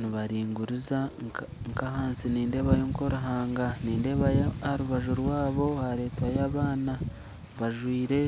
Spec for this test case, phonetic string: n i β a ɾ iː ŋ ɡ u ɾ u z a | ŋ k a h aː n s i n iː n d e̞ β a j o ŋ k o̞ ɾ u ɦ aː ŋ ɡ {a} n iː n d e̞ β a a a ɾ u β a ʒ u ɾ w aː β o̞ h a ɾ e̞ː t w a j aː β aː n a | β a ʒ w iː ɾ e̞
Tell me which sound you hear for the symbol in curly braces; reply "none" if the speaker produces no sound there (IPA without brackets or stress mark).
a